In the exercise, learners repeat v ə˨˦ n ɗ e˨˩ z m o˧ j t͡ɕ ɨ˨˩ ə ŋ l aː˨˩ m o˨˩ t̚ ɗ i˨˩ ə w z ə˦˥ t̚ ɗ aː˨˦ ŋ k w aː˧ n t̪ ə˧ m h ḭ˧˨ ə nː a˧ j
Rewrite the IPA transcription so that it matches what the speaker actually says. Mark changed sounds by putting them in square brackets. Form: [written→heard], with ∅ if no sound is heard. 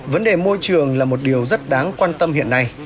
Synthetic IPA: v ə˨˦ n ɗ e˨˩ [z→∅] m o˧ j t͡ɕ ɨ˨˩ ə ŋ l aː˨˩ m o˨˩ t̚ ɗ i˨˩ ə w z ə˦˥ t̚ ɗ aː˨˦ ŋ k w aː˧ n t̪ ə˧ m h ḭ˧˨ ə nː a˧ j